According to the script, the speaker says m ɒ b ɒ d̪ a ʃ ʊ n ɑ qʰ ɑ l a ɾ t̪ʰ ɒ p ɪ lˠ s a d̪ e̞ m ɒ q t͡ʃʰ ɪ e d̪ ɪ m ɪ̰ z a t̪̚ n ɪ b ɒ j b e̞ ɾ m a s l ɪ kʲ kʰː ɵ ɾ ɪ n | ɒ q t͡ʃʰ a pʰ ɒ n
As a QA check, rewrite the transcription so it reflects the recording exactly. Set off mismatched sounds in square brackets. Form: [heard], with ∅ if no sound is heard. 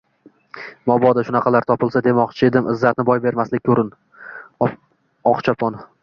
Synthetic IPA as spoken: m ɒ b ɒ d̪ a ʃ ʊ n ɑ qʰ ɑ l a ɾ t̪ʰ ɒ p ɪ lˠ s a d̪ e̞ m ɒ q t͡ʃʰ ɪ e d̪ ɪ m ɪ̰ [zː] a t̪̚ n ɪ b ɒ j b e̞ ɾ m a s l ɪ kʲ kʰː ɵ ɾ ɪ n | ɒ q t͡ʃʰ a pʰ ɒ n